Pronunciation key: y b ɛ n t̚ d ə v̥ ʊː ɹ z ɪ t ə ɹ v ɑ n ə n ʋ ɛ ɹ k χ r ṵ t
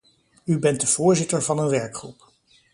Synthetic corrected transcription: y b ɛ n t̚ d ə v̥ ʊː ɹ z ɪ t ə ɹ v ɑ n ə n ʋ ɛ ɹ k χ r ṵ p